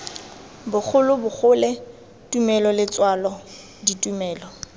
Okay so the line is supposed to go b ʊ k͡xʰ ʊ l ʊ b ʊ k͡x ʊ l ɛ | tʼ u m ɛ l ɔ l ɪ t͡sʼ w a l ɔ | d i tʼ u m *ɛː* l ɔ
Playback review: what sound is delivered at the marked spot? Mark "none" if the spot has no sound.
ɛː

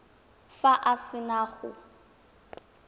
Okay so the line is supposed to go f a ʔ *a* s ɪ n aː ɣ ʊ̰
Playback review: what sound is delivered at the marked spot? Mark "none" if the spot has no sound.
a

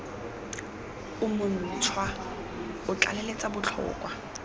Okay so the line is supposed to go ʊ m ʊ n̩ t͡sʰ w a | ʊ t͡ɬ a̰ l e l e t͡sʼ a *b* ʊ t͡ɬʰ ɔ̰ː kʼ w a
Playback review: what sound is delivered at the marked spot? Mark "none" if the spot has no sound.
b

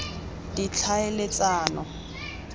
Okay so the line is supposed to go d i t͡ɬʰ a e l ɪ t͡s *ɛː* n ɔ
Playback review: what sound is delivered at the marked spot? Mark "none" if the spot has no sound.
aː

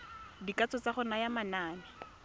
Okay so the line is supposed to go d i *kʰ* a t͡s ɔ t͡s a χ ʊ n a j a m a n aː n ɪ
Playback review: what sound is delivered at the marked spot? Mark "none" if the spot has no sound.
k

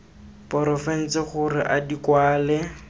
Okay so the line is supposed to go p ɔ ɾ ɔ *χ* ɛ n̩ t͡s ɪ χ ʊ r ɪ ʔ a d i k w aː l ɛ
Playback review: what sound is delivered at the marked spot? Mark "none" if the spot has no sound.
f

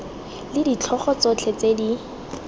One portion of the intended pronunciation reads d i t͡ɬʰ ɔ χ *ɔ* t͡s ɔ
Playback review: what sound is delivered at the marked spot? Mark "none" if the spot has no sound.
ɔ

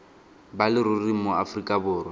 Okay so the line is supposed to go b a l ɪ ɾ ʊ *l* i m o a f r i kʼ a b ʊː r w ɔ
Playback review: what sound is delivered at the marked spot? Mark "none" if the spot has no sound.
r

